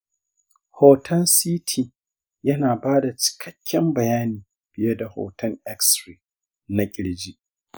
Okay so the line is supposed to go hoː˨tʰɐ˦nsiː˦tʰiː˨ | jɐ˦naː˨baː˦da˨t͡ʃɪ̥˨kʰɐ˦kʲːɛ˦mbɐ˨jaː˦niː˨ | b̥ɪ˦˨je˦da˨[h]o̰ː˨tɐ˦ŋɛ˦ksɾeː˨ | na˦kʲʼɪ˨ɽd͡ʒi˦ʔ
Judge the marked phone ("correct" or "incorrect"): correct